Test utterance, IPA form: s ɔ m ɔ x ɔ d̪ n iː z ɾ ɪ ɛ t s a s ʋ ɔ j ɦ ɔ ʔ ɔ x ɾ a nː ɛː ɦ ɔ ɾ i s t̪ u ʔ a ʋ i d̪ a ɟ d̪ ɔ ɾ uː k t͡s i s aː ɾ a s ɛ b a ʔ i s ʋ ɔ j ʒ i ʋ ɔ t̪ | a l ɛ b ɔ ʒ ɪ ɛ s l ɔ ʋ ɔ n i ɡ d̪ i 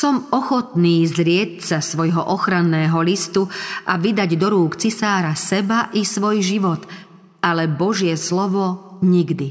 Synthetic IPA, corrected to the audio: s ɔ m ɔ x ɔ t̪ n iː z ɾ ɪ ɛ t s a s ʋ ɔ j ɦ ɔ ʔ ɔ x ɾ a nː ɛː ɦ ɔ l i s t̪ u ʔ a ʋ i d̪ a ɟ d̪ ɔ ɾ uː k t͡s i s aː ɾ a s ɛ b a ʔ i s ʋ ɔ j ʒ i ʋ ɔ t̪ | a l ɛ b ɔ ʒ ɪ ɛ s l ɔ ʋ ɔ ɲ i ɡ d̪ i